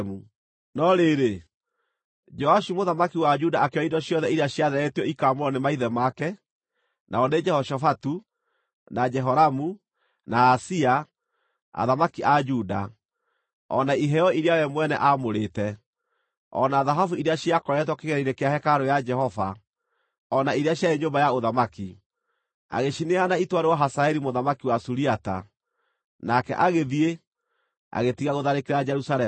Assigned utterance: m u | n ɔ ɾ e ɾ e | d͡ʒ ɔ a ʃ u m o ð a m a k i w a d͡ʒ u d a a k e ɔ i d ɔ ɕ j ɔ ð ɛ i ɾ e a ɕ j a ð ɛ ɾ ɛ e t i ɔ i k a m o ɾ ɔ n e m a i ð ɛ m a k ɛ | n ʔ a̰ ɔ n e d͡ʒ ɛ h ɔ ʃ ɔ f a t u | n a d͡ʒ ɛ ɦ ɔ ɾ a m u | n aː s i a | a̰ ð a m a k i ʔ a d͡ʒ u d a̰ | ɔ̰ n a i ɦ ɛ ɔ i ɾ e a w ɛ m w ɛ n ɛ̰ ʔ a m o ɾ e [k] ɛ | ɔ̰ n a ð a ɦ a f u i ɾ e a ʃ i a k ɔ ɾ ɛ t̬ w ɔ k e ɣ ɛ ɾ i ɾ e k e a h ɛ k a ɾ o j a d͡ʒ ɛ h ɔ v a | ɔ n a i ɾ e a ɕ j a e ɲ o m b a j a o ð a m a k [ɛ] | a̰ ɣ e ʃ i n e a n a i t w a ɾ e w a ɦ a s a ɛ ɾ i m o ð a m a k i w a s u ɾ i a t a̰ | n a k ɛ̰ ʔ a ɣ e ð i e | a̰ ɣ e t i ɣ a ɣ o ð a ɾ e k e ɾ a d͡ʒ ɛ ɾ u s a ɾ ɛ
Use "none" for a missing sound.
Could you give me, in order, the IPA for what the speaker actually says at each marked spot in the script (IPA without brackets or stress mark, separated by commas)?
t, i